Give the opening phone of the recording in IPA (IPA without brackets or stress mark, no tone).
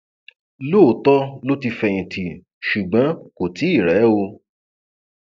l